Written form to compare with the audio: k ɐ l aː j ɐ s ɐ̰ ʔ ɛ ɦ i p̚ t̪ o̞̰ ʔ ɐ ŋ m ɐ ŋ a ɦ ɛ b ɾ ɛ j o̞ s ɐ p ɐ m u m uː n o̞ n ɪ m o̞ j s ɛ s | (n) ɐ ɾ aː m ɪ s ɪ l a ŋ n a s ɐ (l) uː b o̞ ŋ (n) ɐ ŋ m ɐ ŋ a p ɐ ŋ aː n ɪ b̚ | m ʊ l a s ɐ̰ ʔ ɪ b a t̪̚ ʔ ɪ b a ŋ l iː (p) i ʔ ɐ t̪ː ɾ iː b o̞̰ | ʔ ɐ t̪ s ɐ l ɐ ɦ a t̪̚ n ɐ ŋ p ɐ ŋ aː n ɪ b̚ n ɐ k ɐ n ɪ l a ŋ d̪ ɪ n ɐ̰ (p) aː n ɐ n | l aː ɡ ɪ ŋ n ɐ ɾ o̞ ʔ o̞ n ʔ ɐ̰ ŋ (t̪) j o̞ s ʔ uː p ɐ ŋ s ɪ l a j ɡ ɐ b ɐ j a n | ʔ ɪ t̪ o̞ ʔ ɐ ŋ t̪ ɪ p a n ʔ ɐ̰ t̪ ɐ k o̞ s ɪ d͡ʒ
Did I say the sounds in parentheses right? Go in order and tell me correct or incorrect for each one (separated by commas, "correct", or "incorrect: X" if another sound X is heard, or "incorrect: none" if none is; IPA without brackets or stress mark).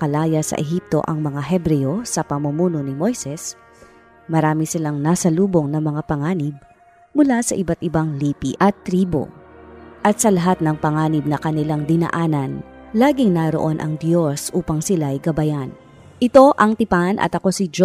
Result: incorrect: m, correct, correct, correct, incorrect: ʔ, incorrect: d̪